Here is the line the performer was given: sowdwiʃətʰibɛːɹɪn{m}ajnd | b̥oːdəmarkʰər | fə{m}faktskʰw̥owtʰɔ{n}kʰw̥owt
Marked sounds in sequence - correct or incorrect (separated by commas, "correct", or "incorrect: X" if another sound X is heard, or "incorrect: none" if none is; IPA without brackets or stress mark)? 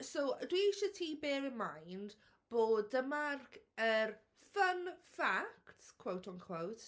correct, incorrect: n, correct